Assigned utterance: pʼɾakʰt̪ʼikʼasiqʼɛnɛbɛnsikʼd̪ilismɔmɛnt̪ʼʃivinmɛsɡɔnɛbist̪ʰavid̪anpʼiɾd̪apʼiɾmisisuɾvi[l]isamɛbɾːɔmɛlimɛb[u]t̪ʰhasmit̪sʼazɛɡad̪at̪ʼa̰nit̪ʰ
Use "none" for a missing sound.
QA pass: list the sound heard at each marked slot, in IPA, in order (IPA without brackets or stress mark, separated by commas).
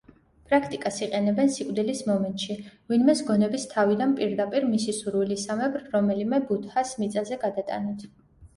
l, u